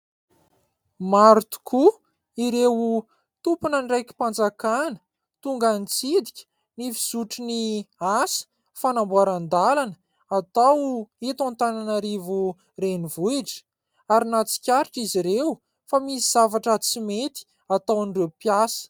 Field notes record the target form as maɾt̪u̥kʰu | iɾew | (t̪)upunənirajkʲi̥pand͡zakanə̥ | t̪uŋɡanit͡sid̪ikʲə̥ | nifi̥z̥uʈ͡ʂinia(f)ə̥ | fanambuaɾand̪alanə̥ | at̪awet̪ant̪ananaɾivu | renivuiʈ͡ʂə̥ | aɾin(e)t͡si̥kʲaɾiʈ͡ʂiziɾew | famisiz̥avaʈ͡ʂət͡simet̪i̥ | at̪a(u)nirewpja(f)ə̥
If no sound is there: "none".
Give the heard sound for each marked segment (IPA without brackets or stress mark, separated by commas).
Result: t̪, s, a, w, s